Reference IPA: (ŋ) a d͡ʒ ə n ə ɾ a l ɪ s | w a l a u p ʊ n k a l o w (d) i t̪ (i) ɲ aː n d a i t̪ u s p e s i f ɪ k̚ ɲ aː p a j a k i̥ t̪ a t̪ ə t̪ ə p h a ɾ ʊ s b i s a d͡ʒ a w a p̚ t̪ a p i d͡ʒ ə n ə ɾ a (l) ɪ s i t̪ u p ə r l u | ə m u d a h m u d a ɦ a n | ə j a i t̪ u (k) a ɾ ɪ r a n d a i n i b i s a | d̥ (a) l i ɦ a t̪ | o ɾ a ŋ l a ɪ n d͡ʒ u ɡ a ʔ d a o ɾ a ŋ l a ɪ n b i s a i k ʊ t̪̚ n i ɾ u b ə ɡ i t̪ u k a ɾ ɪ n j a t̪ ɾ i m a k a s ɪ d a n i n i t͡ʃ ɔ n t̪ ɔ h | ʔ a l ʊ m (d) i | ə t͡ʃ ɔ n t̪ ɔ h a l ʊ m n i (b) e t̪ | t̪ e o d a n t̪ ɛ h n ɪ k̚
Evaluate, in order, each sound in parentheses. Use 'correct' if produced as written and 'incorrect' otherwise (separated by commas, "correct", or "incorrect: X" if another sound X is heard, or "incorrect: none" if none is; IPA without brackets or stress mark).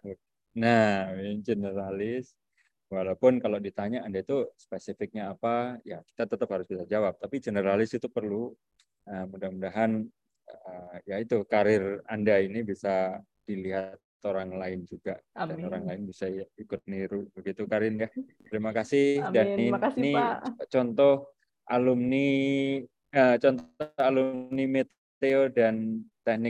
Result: incorrect: n, correct, incorrect: a, correct, correct, incorrect: i, incorrect: n, incorrect: m